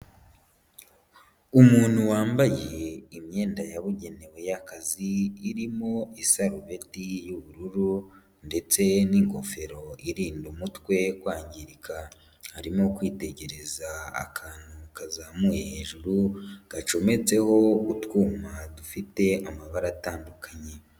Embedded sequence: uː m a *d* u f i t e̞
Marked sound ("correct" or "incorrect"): correct